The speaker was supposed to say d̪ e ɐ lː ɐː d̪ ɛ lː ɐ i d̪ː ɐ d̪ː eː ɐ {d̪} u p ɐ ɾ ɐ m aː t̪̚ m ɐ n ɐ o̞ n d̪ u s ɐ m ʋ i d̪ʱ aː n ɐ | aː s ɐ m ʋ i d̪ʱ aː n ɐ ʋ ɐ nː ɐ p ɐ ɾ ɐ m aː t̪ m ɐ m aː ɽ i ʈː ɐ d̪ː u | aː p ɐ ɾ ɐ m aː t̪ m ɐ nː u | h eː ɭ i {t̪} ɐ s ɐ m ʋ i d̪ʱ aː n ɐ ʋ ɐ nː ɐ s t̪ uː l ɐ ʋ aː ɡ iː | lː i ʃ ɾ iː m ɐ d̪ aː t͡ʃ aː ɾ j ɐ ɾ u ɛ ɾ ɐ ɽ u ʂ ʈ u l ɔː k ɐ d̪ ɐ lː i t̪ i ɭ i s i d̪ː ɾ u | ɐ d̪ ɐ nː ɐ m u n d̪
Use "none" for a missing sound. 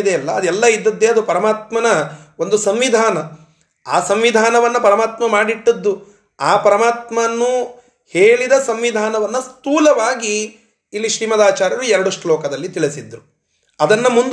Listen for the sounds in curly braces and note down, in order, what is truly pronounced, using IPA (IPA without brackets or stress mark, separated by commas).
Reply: d̪, d̪